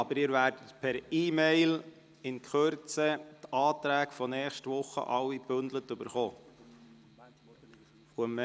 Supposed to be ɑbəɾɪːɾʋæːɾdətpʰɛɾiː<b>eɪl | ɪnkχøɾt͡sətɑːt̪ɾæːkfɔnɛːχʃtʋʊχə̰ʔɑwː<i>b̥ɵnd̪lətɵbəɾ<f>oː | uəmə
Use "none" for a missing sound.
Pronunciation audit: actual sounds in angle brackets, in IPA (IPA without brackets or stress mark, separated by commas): m, i, χ